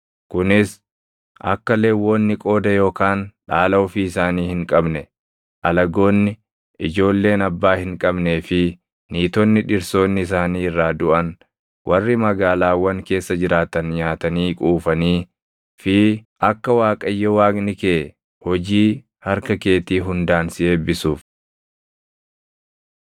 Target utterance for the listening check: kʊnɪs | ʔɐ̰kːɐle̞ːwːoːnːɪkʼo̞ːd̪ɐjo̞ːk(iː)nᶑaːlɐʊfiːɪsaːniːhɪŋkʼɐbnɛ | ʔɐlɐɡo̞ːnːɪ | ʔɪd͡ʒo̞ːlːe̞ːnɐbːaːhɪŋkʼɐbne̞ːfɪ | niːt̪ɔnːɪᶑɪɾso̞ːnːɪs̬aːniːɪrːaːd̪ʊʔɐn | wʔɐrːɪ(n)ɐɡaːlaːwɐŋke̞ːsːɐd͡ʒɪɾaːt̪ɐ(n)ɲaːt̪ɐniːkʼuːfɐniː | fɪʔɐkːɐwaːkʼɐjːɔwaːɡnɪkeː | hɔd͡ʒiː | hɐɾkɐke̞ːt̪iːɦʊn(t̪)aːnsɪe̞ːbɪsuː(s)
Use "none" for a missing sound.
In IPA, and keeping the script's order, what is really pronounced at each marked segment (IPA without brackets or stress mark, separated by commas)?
aː, m, n, d̪, f